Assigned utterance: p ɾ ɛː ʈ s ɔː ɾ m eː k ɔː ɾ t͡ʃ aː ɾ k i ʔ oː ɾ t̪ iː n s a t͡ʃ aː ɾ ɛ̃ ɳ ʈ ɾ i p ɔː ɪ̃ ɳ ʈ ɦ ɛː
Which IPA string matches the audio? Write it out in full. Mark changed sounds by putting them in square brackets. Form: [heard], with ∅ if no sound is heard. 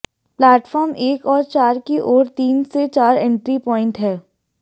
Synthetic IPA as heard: p [l] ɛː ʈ [f] ɔː ɾ m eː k ɔː ɾ t͡ʃ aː ɾ k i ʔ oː ɾ t̪ iː n s [e] t͡ʃ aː ɾ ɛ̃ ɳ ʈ ɾ i p ɔː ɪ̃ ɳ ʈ ɦ ɛː